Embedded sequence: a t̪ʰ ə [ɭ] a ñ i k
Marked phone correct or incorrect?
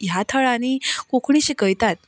correct